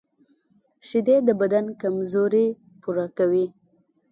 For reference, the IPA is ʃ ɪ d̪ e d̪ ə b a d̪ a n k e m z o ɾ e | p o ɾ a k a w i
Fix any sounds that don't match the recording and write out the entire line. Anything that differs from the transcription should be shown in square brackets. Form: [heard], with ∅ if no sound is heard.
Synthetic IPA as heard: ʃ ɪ d̪ e d̪ ə b a d̪ a n k [a] m z o ɾ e | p [u] ɾ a k a w i